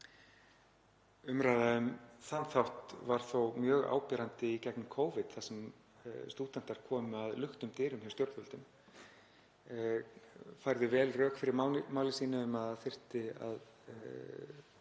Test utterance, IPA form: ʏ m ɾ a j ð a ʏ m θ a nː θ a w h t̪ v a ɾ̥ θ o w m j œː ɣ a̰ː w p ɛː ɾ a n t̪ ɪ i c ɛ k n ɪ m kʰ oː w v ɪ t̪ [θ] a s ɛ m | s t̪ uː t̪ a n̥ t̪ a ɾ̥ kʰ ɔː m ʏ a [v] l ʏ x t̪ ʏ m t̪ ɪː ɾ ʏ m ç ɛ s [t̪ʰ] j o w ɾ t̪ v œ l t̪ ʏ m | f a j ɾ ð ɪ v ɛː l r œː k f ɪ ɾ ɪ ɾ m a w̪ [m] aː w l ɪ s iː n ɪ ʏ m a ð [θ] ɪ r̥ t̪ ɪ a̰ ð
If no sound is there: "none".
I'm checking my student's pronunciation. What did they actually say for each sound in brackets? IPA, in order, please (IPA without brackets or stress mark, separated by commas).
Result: θ, ð, t̪, m, θ